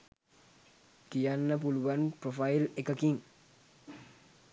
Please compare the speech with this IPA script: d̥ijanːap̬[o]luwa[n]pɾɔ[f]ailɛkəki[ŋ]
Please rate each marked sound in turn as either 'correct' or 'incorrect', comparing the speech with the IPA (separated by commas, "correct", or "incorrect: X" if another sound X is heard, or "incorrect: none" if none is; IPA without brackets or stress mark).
incorrect: u, correct, correct, correct